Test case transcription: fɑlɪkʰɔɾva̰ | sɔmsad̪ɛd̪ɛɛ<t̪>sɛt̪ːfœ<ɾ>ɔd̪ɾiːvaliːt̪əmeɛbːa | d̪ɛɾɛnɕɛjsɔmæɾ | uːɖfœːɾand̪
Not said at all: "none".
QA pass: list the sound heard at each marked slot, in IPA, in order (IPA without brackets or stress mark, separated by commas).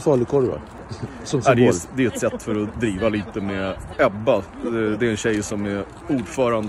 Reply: t̪, ɾ